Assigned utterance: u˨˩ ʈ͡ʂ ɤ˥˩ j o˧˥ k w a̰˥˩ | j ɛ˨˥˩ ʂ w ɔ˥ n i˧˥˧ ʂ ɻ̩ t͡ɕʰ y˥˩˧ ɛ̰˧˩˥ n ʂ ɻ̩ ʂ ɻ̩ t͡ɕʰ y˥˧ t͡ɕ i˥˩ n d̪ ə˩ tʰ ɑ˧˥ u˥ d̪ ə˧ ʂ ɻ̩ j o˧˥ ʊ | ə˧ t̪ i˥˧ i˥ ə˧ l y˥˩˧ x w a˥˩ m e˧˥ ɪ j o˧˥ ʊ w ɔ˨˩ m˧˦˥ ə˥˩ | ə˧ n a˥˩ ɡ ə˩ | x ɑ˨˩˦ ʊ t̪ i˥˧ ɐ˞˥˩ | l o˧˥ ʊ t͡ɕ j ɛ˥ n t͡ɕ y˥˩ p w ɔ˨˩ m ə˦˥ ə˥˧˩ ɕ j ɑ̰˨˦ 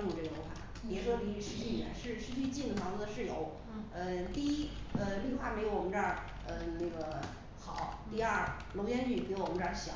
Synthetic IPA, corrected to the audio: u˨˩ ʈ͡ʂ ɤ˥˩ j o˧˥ x w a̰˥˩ | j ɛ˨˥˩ ʂ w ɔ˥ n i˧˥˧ ʂ ɻ̩ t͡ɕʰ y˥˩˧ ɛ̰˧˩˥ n ʂ ɻ̩ ʂ ɻ̩ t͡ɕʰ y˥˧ t͡ɕ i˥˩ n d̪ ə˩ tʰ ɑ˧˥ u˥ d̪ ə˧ ʂ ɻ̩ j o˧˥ ʊ | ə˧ t̪ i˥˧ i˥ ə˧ l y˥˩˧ x w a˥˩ m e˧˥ ɪ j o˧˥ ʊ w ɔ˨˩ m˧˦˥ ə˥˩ | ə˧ n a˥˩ ɡ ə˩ | x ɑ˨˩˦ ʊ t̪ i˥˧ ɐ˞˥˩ | l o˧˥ ʊ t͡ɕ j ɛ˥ n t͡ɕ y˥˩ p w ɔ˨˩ m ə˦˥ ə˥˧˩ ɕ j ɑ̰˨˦